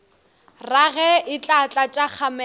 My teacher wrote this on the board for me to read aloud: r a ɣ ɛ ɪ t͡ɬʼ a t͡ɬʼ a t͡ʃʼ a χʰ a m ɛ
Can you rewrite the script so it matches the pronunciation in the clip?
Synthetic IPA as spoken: r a ɣ ɛ ɪ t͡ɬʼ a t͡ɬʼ a t͡ʃʼ a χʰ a m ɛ